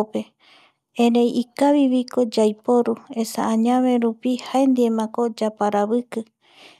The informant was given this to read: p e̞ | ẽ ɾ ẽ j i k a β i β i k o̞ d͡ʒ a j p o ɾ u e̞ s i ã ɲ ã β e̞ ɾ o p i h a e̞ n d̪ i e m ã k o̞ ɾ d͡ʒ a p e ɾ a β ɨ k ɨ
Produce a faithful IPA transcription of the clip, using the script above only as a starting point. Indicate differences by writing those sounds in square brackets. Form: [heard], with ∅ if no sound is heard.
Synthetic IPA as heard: p e̞ | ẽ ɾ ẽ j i k a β i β i k o̞ d͡ʒ a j p o ɾ u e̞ s [a] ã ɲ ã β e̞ ɾ [u] p i h a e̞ n d̪ i e m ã k o̞ [∅] d͡ʒ a p [a] ɾ a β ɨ k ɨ